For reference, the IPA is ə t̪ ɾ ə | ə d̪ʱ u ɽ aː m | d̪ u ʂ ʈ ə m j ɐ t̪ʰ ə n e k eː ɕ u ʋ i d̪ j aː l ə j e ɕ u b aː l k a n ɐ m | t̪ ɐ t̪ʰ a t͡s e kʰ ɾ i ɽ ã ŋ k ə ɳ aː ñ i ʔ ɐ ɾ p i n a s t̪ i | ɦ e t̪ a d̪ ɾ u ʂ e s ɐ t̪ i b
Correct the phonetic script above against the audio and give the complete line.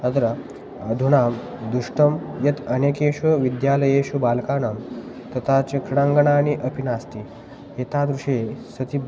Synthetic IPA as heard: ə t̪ ɾ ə | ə d̪ʱ u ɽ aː m | d̪ u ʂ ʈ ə m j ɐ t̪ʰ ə n e k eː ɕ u ʋ i d̪ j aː l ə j e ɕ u b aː l k a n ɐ m | t̪ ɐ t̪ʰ a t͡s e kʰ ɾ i ɽ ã ŋ ɡ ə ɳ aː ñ i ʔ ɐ p i n a s t̪ i | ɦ e t̪ a d̪ ɾ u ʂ e s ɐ t̪ i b